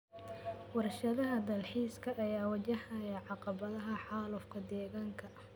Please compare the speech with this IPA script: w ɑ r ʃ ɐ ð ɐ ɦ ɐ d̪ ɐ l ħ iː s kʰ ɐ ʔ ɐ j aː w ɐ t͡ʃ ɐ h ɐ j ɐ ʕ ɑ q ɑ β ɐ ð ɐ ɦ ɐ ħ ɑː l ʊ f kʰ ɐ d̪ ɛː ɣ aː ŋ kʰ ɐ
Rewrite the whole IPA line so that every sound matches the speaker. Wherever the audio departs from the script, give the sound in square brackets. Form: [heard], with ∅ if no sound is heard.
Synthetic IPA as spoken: w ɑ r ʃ ɐ ð ɐ ɦ ɐ d̪ ɐ l ħ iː s kʰ ɐ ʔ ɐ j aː w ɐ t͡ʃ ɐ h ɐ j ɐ ʕ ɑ q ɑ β ɐ ð ɐ ɦ ɐ ħ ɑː l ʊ f kʰ ɐ d̪ ɛː ɣ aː ŋ kʰ ɐ

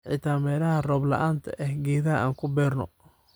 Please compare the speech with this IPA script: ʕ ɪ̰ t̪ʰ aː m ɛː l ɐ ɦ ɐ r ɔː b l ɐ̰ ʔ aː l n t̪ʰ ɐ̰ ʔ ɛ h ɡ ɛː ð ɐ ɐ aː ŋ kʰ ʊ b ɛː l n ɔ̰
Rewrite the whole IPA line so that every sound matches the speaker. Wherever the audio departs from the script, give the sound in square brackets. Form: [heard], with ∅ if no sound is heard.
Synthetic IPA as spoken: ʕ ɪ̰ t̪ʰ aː m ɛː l ɐ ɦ ɐ r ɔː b l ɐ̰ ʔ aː [∅] n t̪ʰ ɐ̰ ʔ ɛ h ɡ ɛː ð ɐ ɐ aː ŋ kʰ ʊ b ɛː [r] n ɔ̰

